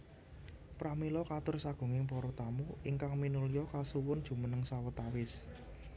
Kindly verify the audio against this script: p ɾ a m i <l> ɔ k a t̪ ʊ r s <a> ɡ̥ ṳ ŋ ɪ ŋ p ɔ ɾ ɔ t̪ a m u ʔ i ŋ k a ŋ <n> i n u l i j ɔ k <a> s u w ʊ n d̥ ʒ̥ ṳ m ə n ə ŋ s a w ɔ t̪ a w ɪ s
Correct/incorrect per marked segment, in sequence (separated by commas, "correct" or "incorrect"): correct, correct, incorrect, correct